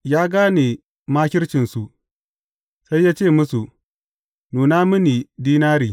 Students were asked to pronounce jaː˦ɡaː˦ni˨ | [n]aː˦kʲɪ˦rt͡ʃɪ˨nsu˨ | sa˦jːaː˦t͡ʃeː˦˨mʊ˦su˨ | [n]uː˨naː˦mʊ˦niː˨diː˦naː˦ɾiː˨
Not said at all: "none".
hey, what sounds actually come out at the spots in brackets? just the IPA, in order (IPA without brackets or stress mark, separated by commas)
m, n